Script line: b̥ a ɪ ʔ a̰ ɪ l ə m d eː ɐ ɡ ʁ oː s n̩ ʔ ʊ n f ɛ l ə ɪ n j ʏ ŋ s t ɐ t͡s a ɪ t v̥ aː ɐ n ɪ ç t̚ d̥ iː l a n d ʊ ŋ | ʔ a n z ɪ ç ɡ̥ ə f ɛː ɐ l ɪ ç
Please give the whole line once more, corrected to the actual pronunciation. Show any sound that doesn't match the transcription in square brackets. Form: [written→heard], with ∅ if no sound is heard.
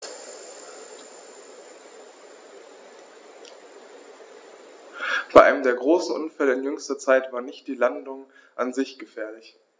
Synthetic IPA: b̥ a ɪ ʔ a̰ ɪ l ə m d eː ɐ ɡ ʁ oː s n̩ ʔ ʊ n f ɛ l ə ɪ n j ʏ ŋ s t ɐ t͡s a ɪ t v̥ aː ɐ n ɪ ç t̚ d̥ iː l a n d ʊ ŋ | ʔ a n z ɪ ç ɡ̥ ə f ɛː ɐ l ɪ ç